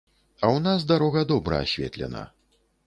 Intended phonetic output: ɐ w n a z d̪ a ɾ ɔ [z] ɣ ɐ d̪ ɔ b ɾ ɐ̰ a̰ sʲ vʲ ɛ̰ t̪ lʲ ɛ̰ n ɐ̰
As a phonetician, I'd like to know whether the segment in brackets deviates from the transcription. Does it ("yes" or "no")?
yes